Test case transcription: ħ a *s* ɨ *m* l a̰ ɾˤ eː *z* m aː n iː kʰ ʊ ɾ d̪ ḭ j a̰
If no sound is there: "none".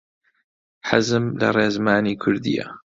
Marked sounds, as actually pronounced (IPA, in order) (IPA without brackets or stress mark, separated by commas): z, m, z